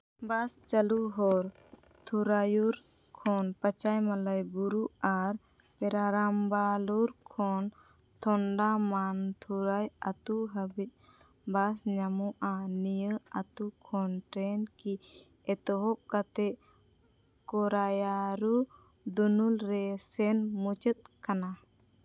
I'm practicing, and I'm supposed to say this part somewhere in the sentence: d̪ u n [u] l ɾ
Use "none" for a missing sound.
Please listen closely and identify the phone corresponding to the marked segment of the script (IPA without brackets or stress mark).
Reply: u